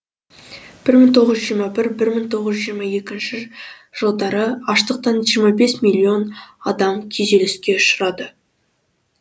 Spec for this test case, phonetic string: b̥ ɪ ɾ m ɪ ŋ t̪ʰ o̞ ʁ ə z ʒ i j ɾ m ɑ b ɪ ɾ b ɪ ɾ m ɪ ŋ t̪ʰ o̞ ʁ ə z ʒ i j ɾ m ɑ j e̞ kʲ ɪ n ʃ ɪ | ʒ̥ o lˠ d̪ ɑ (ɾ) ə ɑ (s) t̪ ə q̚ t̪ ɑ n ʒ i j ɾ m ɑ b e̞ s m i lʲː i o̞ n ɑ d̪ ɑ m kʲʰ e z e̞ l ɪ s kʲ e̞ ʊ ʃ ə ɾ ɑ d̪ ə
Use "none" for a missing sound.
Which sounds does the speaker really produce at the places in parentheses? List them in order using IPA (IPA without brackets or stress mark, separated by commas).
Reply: ɾ, ʃ